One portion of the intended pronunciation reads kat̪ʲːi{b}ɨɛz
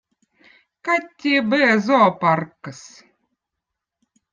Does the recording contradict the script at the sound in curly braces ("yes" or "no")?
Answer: no